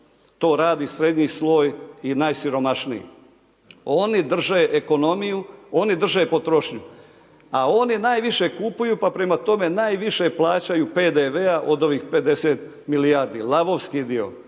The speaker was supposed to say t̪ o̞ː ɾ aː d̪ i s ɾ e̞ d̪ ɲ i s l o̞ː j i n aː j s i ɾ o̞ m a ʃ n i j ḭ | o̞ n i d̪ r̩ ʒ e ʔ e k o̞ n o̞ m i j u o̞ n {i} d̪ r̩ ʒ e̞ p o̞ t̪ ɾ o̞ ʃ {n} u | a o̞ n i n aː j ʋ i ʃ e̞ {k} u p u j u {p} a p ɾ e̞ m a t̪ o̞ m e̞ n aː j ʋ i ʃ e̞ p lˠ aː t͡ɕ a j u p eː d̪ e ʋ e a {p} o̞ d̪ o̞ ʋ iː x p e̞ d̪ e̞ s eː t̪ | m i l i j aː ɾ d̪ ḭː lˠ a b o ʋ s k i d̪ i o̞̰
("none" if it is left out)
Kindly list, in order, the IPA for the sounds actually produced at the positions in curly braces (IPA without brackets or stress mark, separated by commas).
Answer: i, ɲ, k, p, ʔ